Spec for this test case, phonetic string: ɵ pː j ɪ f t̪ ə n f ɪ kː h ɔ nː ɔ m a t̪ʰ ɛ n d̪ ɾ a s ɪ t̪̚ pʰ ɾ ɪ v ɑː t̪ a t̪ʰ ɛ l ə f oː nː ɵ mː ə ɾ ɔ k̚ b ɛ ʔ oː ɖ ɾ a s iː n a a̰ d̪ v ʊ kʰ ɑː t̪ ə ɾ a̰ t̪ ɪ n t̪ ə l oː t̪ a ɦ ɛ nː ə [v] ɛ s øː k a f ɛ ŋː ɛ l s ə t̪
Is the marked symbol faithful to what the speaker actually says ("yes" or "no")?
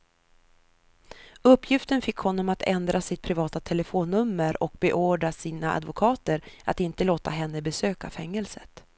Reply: no